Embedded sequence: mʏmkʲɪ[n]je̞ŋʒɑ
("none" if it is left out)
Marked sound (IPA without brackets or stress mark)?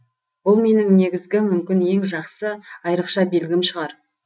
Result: n